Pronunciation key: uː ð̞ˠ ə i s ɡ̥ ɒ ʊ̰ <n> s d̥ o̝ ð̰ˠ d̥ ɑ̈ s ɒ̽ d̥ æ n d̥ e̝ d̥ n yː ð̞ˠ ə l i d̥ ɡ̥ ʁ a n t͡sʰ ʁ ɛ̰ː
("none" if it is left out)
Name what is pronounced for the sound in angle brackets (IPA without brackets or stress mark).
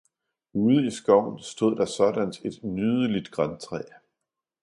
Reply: n